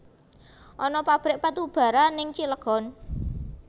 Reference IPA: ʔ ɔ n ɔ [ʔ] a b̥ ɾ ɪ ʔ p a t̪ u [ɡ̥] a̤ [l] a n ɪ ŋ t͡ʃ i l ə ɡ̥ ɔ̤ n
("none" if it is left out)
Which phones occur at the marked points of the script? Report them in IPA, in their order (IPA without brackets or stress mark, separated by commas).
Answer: p, b̥, ɾ